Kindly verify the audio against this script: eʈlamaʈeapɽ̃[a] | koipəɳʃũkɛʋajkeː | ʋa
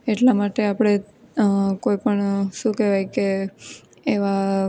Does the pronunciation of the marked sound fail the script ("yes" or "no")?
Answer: yes